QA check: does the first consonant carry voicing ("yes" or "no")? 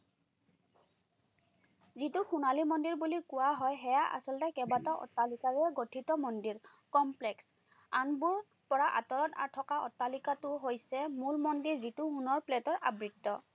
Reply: yes